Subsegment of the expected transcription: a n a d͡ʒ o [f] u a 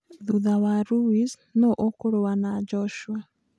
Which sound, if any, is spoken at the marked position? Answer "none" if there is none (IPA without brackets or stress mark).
ʃ